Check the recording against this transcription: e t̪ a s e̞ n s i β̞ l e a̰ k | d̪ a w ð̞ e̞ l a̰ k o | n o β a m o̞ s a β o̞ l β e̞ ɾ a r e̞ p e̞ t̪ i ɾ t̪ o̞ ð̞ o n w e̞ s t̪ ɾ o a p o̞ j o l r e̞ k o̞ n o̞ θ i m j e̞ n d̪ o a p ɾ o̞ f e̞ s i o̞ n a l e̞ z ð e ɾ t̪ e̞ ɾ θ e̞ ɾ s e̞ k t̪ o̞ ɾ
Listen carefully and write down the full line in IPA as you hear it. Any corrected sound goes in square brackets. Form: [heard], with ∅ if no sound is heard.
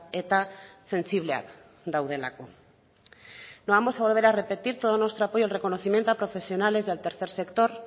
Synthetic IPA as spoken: e t̪ a s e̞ n s i β̞ l e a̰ k | d̪ a w ð̞ e̞ l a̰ k o | n o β a m o̞ s a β o̞ l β e̞ ɾ a r e̞ p e̞ t̪ i ɾ t̪ o̞ ð̞ o n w e̞ s t̪ ɾ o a p o̞ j o l r e̞ k o̞ n o̞ θ i m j e̞ n [t̪] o a p ɾ o̞ f e̞ s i o̞ n a l e̞ z ð e [l] t̪ e̞ ɾ θ e̞ ɾ s e̞ k t̪ o̞ ɾ